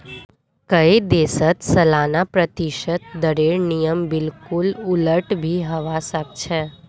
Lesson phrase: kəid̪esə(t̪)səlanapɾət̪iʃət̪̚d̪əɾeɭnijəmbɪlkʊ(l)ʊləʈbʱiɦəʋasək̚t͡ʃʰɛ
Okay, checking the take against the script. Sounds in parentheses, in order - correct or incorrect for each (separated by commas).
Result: correct, correct